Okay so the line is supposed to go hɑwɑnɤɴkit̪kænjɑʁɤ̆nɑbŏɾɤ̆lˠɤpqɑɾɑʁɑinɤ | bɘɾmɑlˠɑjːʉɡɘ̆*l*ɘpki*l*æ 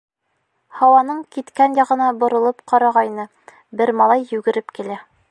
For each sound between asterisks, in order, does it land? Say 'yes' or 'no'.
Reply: no, yes

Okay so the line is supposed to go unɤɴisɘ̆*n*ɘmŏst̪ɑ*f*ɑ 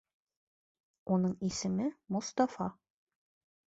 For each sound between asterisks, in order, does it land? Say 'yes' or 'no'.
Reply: no, yes

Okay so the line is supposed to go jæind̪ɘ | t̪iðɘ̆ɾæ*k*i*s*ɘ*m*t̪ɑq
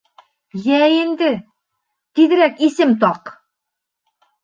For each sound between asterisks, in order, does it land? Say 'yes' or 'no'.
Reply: yes, yes, yes

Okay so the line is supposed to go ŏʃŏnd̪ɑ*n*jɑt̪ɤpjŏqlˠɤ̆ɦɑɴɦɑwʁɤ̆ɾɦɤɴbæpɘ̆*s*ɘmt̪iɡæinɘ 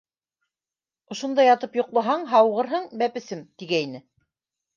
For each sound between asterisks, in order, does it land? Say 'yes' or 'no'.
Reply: no, yes

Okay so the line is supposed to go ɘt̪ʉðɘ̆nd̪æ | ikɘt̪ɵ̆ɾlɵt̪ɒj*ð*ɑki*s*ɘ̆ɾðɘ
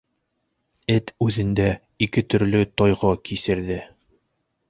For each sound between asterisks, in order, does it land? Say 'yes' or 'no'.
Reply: no, yes

